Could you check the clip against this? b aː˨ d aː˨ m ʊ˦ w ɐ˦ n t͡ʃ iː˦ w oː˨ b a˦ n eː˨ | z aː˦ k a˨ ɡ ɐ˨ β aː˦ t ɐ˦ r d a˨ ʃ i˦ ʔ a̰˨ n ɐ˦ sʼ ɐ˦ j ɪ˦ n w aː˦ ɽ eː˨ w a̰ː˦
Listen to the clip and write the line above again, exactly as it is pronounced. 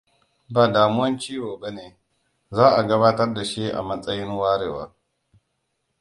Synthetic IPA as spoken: b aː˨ d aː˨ m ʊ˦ w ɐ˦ n t͡ʃ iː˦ w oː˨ b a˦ n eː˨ | z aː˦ ʔ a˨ ɡ ɐ˦ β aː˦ t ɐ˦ r d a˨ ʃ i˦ ʔ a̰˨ m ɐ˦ sʼ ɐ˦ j ɪ˦ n w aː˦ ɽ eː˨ w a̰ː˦